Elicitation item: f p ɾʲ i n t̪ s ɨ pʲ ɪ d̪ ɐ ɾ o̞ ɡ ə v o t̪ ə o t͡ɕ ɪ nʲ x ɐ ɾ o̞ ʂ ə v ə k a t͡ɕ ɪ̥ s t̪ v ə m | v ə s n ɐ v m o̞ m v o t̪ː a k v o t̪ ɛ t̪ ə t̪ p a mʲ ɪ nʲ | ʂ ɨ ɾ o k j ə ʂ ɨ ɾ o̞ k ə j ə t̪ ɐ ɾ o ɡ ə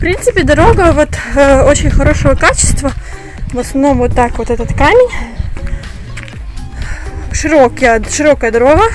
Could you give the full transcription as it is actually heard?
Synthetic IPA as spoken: f p ɾʲ i n t̪ s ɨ pʲ ɪ d̪ ɐ ɾ o̞ ɡ ə v o t̪ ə o t͡ɕ ɪ nʲ x ɐ ɾ o̞ ʂ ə v ə k a t͡ɕ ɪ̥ s t̪ v ə | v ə s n ɐ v n o̞ m v o t̪ː a k v o t̪ ɛ t̪ ə t̪ k a mʲ ɪ nʲ | ʂ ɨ ɾ o k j ə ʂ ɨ ɾ o̞ k ə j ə d̪ ɐ ɾ o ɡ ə